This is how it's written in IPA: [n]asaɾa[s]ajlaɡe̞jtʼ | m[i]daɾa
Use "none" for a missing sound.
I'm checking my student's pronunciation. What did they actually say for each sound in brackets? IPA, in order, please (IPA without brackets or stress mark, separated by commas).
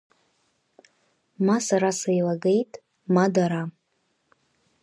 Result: m, s, a